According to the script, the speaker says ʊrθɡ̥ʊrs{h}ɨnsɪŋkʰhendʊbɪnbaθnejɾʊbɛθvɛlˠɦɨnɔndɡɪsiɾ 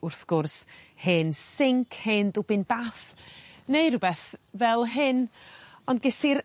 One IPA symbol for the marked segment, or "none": h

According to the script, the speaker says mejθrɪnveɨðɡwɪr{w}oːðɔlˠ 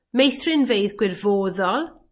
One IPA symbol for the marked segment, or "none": v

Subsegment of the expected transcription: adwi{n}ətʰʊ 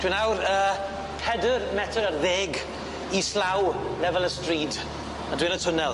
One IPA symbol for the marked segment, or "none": n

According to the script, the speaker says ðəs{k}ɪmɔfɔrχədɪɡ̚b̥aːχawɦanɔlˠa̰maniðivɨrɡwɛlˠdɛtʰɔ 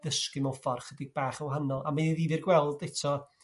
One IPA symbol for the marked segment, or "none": k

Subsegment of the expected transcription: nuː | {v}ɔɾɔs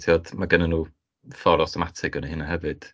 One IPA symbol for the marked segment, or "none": f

